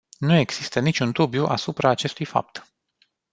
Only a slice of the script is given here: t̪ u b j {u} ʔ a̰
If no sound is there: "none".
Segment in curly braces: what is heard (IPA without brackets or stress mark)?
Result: u